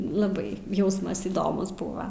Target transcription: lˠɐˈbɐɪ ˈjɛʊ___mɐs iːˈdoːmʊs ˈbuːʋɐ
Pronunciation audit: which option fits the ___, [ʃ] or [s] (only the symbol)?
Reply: s